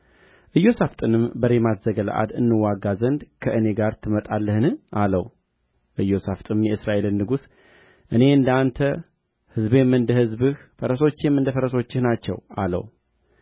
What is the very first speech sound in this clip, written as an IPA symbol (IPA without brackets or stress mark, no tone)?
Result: ʔ